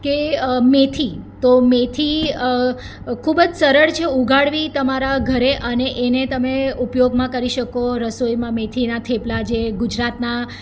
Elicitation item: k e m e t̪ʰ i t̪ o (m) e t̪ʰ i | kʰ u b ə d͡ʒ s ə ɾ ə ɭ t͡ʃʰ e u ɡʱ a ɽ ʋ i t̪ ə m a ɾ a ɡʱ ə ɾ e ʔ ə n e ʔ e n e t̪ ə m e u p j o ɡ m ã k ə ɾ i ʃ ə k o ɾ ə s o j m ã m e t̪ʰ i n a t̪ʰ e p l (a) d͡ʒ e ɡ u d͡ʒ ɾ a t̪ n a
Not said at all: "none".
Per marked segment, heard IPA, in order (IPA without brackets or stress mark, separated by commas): m, a